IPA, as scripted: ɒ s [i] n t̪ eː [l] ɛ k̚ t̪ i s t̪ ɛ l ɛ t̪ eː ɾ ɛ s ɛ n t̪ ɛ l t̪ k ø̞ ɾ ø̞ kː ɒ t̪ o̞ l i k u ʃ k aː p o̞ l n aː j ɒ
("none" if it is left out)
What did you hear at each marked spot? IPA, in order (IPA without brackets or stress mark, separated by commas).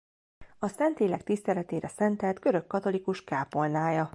ɛ, l